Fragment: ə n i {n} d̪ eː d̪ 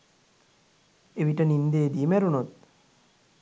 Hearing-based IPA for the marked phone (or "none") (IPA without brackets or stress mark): n